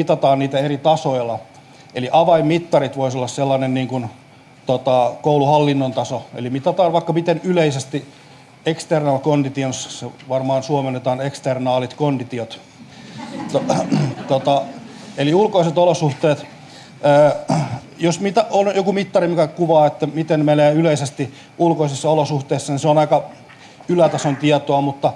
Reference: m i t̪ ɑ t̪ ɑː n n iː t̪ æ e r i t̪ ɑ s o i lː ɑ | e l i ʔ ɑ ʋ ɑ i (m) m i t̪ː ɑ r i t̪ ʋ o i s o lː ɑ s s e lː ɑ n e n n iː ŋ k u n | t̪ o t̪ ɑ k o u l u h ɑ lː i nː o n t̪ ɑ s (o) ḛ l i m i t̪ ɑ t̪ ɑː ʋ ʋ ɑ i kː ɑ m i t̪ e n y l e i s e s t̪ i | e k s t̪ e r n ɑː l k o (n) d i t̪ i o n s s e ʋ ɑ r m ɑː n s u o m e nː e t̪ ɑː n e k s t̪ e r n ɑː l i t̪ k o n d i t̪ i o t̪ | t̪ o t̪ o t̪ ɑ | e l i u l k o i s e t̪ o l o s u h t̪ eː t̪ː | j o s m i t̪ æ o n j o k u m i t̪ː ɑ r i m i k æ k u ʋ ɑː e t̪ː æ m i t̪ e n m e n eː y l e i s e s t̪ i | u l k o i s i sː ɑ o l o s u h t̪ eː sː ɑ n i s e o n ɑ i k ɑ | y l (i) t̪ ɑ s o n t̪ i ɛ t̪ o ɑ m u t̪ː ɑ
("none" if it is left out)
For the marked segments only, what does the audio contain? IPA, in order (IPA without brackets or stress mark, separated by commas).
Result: m, o, n, æ